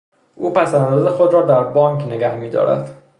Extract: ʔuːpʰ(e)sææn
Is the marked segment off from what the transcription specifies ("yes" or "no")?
yes